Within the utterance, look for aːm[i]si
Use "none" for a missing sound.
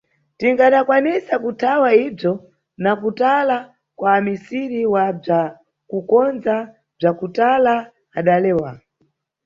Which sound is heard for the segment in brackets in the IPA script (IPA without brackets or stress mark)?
i